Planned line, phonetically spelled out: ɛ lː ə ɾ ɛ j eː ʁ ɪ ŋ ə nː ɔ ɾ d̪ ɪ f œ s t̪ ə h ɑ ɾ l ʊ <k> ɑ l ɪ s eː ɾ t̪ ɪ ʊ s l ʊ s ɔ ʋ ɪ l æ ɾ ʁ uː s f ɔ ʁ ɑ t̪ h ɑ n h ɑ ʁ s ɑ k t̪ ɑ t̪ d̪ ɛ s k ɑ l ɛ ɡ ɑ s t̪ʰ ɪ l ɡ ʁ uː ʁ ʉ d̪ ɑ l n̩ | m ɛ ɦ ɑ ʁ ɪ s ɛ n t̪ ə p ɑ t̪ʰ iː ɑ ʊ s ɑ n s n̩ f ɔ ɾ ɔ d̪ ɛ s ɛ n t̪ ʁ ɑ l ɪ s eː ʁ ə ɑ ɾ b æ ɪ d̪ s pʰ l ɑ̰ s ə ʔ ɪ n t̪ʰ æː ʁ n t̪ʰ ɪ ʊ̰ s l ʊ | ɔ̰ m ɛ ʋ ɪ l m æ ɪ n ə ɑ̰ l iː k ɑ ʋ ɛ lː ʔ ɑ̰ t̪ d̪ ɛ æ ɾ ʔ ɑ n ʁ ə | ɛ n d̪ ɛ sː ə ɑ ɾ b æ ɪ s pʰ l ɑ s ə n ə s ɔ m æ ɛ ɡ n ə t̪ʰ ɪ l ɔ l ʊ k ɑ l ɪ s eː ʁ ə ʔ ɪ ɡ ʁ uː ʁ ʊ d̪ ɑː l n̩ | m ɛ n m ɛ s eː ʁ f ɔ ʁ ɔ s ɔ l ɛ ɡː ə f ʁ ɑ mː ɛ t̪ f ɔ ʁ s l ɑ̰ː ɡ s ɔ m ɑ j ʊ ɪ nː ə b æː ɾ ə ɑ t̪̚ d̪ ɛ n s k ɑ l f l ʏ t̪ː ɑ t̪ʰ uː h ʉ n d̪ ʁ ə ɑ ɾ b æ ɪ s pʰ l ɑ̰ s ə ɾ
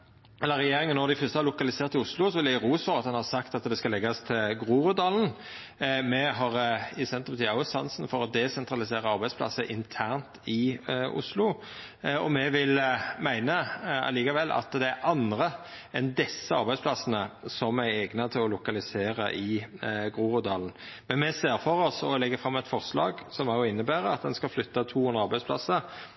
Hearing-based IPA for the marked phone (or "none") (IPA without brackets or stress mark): k